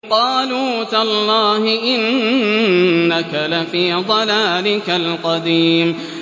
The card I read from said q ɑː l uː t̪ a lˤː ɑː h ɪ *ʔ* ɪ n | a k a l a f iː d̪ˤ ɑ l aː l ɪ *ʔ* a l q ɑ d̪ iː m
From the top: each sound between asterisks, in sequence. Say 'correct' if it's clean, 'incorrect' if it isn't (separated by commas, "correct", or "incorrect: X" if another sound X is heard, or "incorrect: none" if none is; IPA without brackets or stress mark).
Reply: correct, incorrect: k